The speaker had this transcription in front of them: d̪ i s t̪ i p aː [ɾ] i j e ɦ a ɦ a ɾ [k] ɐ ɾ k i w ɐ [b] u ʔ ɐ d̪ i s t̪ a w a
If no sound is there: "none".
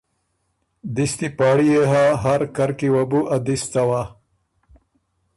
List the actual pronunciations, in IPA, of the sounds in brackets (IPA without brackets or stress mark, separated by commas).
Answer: ɽ, k, b